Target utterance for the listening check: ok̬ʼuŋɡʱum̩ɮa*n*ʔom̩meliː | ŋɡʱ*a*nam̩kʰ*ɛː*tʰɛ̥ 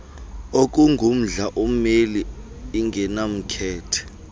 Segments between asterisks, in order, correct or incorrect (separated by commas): incorrect, incorrect, correct